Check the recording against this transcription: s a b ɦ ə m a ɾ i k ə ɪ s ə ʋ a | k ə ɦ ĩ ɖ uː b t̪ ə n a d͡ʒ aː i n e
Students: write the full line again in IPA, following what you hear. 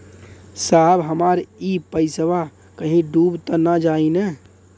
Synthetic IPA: s a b ɦ ə m a ɾ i p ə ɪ s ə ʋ a | k ə ɦ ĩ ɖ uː b t̪ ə n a d͡ʒ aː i n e

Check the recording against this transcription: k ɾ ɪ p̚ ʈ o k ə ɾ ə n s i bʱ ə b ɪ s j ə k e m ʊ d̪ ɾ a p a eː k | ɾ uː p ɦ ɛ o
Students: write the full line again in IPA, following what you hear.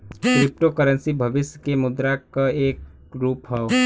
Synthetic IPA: k ɾ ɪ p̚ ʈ o k ə ɾ ə n s i bʱ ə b ɪ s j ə k e m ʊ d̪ ɾ a k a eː k | ɾ uː p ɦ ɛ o

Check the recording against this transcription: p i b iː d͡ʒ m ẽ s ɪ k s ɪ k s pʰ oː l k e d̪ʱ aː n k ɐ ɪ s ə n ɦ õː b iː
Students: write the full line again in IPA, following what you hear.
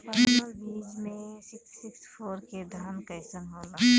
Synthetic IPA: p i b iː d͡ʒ m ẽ s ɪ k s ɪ k s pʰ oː ɾ k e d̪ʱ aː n k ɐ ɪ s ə n ɦ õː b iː

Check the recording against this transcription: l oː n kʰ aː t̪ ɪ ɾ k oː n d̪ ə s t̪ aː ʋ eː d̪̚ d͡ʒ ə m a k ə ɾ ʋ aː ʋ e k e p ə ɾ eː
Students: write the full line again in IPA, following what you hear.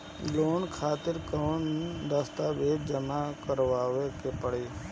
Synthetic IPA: l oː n kʰ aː t̪ ɪ ɾ k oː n d̪ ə s t̪ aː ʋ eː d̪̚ d͡ʒ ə m a k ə ɾ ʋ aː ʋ e k e p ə ɽ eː

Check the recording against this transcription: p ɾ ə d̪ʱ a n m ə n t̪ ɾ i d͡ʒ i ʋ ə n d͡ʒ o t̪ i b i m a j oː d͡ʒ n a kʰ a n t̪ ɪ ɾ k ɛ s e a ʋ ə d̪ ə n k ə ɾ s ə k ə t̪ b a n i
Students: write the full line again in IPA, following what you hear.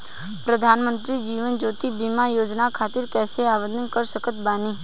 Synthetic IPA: p ɾ ə d̪ʱ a n m ə n t̪ ɾ i d͡ʒ i ʋ ə n d͡ʒ o t̪ i b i m a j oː d͡ʒ n a kʰ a t̪ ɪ ɾ k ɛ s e a ʋ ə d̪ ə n k ə ɾ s ə k ə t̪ b a n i

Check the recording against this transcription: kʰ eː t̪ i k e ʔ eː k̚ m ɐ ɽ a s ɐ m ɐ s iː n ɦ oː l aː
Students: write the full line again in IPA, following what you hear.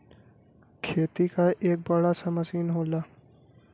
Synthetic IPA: kʰ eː t̪ i k a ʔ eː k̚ b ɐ ɽ a s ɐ m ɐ s iː n ɦ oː l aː

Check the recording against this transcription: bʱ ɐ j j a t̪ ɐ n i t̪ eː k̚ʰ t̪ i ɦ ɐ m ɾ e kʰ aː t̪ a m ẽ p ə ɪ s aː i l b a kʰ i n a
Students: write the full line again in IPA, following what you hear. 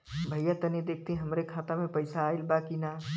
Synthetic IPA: bʱ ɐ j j a t̪ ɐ n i d̪ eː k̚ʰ t̪ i ɦ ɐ m ɾ e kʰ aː t̪ a m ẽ p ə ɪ s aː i l b a k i n a

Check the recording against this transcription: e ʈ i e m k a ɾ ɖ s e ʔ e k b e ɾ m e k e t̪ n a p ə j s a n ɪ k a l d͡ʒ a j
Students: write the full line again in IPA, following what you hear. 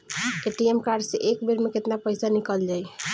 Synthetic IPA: e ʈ i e m k a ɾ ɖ s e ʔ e k b e ɾ m e k e t̪ n a p ə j s a n i k ə l d͡ʒ a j

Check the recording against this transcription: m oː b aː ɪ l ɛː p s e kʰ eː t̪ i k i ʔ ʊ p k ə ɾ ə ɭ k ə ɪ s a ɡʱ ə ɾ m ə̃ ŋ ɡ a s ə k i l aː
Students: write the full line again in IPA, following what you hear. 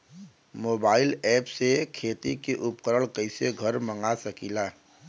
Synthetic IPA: m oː b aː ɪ l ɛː p s e kʰ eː t̪ i k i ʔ ʊ p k ə ɾ ə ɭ k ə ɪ s e ɡʱ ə ɾ m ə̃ ŋ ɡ a s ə k i l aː

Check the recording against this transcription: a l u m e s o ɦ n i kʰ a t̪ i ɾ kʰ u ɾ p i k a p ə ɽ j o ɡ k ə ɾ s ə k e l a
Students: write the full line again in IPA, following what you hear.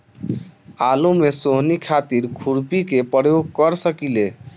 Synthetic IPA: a l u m e s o ɦ n i kʰ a t̪ i ɾ kʰ u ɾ p i k e p ə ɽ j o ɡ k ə ɾ s ə k i l e

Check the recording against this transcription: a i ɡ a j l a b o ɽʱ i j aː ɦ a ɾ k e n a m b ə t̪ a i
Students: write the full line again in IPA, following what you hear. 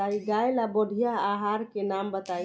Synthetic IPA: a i ɡ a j l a b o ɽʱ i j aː ɦ a ɾ k e n a m b ə t̪ a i

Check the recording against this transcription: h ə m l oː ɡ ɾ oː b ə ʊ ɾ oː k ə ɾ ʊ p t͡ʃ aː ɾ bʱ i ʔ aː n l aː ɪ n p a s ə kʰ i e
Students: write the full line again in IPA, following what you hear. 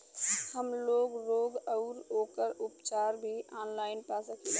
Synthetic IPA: h ə m l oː ɡ ɾ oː ɡ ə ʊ ɾ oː k ə ɾ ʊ p t͡ʃ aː ɾ bʱ i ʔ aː n l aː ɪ n p a s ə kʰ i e

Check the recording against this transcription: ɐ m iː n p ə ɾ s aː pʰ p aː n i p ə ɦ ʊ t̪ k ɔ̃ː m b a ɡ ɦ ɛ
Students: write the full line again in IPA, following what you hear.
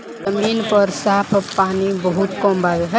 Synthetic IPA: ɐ m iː n p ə ɾ s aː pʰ p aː n i b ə ɦ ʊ t̪ k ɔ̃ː m b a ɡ ɦ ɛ

